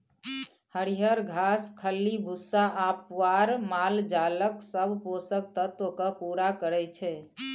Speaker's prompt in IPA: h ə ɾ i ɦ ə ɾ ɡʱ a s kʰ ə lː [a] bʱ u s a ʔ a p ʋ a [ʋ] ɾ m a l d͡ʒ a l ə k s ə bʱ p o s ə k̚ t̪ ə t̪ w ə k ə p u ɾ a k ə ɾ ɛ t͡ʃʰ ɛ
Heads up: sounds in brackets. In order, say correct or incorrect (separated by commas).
incorrect, incorrect